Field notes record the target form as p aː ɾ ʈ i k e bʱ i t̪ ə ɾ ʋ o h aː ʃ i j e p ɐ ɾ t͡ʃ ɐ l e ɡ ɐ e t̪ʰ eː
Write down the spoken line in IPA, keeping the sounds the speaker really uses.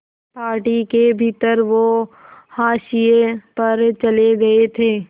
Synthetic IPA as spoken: p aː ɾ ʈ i k e bʱ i t̪ ə ɾ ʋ o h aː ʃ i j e p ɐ ɾ t͡ʃ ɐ l e ɡ ɐ e t̪ʰ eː